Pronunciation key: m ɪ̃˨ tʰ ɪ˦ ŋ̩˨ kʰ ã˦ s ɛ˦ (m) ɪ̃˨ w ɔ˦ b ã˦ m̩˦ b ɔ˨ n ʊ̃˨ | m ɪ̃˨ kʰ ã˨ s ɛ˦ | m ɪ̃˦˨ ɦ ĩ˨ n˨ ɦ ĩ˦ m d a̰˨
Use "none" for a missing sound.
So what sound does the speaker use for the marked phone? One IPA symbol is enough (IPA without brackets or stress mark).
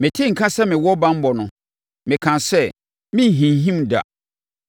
m